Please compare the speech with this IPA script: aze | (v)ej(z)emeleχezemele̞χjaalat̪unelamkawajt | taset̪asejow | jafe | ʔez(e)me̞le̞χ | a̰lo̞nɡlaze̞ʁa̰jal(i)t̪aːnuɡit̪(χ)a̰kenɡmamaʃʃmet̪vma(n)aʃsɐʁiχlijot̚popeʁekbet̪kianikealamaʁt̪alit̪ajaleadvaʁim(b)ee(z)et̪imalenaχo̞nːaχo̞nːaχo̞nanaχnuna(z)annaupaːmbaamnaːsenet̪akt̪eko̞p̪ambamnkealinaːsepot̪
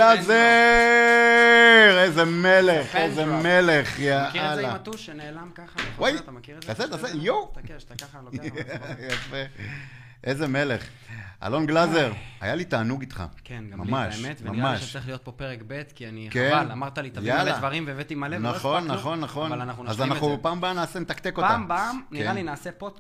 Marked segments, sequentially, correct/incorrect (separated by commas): incorrect, correct, correct, correct, correct, incorrect, incorrect, incorrect, correct